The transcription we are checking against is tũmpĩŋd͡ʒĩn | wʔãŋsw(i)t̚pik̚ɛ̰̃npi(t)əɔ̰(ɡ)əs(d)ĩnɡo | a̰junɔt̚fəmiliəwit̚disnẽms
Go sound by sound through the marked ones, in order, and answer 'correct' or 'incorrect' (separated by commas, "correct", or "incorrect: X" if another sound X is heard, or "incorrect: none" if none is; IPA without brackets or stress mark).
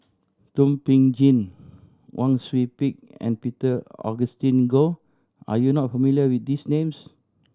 correct, correct, correct, incorrect: t